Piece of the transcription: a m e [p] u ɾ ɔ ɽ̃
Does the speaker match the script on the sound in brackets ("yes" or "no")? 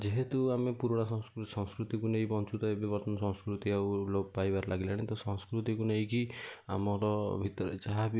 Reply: yes